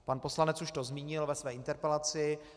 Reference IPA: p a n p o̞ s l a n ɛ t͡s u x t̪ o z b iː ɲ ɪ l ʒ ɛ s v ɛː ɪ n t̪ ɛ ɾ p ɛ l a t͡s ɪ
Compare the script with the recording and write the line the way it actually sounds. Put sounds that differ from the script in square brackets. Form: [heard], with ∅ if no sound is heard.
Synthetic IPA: p a n p o̞ s l a n ɛ t͡s u [ʃ] t̪ o z [m] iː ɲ ɪ l [v] ɛ s v ɛː ɪ n t̪ ɛ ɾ p ɛ l a t͡s ɪ